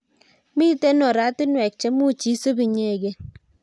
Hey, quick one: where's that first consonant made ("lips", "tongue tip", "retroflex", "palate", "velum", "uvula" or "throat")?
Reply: lips